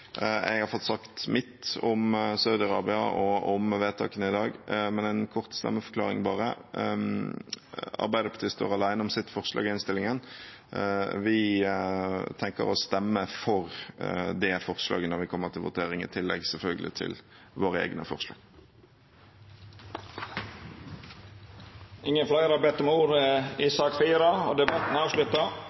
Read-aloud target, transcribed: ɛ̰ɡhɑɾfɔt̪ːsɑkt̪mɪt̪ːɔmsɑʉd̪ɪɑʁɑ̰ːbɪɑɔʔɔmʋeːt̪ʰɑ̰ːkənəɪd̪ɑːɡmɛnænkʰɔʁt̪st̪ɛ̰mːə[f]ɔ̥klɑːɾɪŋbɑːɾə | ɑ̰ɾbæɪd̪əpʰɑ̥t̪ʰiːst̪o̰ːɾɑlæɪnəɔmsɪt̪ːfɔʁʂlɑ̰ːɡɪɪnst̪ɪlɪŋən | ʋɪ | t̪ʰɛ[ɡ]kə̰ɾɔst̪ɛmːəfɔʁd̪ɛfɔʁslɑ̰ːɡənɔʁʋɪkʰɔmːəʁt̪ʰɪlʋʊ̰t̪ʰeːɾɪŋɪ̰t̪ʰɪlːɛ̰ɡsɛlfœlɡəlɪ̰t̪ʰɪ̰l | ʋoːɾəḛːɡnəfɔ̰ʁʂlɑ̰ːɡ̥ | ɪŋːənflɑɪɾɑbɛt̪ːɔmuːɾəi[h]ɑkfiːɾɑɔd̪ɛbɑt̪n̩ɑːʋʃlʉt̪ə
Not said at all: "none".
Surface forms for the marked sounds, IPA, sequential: f, ŋ, s

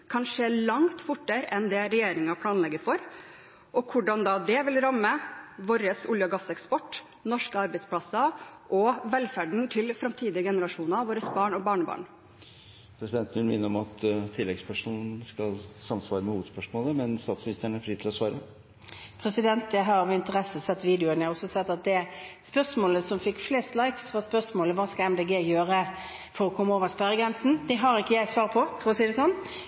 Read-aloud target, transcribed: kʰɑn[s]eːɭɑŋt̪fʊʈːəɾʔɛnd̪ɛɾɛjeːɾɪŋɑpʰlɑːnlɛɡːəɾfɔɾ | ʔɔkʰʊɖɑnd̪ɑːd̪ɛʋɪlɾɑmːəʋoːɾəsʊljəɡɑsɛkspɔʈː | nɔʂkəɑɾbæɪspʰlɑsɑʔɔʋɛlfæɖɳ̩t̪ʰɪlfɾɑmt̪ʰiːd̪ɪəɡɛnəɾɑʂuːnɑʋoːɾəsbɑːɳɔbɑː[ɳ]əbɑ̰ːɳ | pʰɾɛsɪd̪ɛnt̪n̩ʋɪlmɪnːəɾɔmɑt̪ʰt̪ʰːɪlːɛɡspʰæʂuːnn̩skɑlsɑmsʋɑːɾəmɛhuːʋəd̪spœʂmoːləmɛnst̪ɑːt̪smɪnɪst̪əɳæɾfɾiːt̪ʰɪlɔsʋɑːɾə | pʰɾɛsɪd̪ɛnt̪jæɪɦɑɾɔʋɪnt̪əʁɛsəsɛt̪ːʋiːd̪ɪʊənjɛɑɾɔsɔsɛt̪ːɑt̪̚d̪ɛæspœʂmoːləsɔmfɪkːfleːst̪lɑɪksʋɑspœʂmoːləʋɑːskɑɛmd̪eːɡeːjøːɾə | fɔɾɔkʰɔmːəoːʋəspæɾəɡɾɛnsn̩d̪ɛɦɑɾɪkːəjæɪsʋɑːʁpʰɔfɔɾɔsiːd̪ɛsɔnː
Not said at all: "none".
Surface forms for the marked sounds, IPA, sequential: ʂ, ɳ

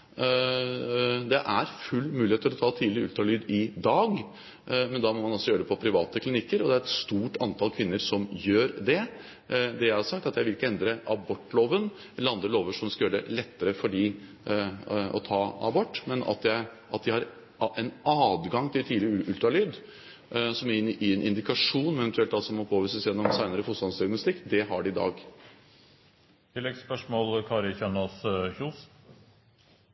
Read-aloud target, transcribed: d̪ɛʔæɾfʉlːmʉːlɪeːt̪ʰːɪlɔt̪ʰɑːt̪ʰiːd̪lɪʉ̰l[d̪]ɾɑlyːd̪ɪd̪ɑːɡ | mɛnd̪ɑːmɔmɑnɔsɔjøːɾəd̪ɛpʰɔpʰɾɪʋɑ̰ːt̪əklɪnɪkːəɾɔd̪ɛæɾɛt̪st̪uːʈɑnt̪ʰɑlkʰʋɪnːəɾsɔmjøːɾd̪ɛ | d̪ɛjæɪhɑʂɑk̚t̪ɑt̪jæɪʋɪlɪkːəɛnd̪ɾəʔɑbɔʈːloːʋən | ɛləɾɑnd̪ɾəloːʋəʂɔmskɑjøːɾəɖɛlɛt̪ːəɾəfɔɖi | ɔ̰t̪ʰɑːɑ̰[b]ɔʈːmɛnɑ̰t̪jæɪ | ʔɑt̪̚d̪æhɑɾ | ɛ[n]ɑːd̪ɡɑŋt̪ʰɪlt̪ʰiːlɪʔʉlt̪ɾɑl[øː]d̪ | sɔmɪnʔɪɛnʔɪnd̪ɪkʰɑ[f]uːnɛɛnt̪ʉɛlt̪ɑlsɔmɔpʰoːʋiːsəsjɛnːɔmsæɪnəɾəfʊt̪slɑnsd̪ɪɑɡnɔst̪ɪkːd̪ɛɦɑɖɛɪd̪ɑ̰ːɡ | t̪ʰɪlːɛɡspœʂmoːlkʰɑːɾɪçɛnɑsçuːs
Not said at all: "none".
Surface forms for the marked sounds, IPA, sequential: t̪, b, n, yː, ʂ

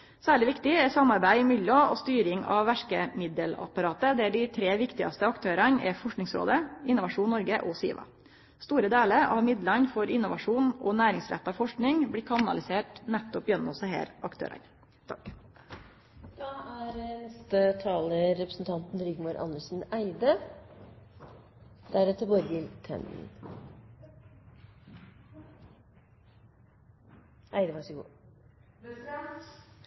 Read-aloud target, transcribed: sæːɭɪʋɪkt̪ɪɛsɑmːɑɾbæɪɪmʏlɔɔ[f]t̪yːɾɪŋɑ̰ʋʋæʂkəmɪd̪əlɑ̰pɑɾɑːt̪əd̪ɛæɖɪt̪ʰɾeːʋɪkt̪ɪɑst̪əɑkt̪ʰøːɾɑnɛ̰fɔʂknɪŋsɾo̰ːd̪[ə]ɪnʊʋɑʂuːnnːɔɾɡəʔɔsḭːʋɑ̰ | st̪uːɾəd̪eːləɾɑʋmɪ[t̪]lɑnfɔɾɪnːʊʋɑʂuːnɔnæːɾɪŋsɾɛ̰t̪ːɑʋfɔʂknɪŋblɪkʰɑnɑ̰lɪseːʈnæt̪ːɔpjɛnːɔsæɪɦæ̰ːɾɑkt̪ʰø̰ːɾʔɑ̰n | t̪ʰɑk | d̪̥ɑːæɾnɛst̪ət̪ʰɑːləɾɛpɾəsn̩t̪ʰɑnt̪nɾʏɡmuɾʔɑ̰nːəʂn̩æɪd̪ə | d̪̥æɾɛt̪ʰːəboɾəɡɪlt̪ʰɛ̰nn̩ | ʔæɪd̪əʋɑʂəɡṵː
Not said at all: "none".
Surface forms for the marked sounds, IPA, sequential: s, ə, d̪

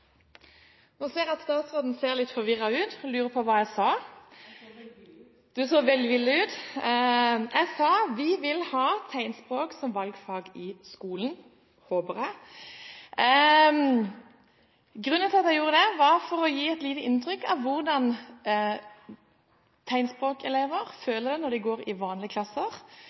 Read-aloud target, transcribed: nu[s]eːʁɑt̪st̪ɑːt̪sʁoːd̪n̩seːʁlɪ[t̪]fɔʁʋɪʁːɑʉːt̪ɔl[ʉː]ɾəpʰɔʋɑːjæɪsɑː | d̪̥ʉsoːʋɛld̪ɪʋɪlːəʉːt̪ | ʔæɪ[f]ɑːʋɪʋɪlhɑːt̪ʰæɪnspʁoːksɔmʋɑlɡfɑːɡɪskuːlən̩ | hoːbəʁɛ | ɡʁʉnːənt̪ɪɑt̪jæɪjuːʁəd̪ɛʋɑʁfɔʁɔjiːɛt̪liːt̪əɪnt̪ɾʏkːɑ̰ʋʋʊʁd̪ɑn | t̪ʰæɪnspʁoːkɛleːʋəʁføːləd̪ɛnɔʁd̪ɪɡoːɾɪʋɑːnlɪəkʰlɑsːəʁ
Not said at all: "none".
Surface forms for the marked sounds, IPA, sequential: s, t̪, ʉː, s

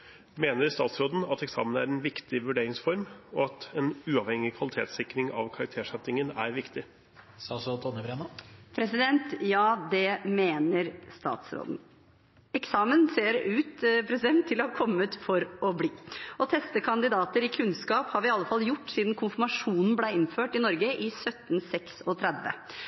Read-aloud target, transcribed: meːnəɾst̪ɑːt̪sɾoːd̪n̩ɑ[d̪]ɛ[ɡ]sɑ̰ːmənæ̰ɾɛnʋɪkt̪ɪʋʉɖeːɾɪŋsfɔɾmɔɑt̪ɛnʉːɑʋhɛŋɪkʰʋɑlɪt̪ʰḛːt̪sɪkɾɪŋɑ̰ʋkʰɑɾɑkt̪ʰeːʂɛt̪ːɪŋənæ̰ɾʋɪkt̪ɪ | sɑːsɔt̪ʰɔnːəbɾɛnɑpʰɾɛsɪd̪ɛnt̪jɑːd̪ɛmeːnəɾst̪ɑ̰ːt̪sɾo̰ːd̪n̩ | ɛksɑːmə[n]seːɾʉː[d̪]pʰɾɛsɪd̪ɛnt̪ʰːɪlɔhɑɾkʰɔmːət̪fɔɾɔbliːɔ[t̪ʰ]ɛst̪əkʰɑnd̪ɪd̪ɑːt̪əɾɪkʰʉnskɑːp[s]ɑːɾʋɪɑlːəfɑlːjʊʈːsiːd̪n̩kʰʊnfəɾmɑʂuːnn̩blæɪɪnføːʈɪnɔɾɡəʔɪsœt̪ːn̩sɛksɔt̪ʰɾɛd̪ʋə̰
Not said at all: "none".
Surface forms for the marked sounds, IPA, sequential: t̪, k, n, t̪, t̪ʰ, h

